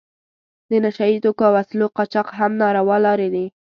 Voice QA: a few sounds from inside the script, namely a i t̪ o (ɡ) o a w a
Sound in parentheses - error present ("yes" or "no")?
yes